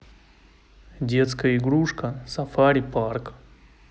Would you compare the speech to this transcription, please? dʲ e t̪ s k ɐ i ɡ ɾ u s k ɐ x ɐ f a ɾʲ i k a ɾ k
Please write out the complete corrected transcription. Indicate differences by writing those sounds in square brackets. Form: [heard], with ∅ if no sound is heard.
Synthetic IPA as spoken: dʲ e t̪ s k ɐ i ɡ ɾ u [ʂ] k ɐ [s] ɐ f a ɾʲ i [p] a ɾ k